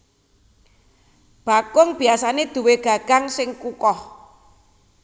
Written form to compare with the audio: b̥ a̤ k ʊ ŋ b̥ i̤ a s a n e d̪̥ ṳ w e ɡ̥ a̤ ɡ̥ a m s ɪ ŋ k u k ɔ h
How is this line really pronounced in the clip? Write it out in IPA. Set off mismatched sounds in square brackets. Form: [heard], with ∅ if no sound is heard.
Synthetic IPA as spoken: b̥ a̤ k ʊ ŋ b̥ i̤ a s a n e d̪̥ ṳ w e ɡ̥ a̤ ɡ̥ a [ŋ] s ɪ ŋ k u k ɔ h